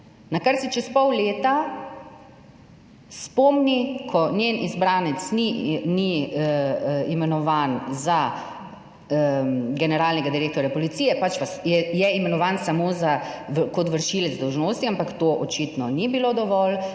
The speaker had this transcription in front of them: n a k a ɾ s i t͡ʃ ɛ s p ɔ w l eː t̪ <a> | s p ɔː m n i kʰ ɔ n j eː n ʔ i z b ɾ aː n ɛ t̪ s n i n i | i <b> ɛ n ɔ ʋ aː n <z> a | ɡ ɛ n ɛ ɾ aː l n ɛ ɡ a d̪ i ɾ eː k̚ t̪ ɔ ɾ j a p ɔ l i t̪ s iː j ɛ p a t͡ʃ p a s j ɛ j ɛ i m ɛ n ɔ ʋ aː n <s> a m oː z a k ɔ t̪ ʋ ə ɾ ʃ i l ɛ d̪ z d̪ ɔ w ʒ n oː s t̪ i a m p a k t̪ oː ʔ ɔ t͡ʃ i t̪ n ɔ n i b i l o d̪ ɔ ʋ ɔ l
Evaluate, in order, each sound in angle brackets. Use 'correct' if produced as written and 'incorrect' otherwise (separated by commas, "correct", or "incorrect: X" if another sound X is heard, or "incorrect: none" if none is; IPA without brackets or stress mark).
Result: correct, incorrect: m, correct, correct